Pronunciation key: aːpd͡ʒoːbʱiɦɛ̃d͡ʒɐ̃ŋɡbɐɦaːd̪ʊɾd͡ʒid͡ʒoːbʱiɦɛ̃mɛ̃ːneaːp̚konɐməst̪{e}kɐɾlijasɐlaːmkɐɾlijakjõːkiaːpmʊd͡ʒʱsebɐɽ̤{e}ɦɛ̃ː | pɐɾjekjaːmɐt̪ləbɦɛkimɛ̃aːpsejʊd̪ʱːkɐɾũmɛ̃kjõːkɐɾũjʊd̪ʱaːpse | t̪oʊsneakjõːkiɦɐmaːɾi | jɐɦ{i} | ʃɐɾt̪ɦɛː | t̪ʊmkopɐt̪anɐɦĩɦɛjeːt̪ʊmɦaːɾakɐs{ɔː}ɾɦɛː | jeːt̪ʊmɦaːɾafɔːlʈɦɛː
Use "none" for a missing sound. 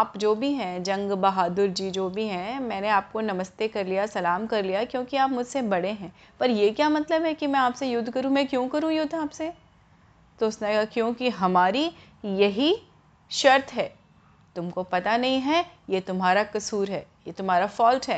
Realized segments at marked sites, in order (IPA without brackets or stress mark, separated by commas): e, e, i, uː